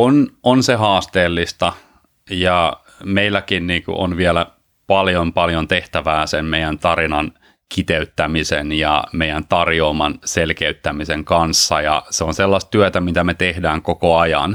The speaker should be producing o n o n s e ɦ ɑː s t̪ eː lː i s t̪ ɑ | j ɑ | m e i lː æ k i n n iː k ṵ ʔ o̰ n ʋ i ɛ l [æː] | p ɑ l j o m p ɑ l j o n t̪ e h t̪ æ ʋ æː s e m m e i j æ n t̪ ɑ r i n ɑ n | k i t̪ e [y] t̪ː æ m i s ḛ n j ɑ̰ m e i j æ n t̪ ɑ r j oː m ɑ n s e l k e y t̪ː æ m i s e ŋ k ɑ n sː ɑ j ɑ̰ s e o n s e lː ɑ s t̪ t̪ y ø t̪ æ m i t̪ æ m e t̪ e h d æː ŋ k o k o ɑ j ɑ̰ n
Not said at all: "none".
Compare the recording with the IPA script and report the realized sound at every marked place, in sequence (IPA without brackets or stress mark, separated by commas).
æ, y